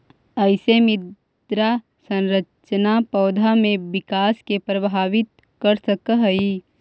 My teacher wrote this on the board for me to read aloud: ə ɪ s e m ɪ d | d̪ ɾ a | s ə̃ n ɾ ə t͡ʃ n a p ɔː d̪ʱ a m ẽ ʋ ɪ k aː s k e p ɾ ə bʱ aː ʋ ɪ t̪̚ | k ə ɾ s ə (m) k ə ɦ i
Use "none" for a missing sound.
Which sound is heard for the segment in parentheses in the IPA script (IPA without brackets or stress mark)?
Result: none